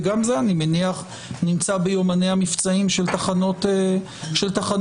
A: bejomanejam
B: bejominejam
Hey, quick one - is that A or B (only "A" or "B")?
A